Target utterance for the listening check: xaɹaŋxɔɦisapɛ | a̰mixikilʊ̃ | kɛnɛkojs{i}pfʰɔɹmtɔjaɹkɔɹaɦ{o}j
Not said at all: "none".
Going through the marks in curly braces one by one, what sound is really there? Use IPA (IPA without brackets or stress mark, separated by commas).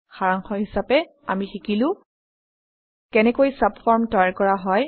a, ɔ